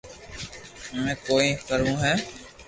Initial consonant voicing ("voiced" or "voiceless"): voiced